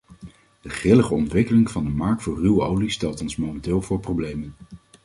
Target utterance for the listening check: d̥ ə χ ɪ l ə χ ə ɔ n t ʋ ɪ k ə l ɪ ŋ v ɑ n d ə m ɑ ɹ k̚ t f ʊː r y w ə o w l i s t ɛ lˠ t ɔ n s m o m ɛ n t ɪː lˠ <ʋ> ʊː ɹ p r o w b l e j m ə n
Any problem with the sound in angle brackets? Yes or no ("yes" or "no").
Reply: yes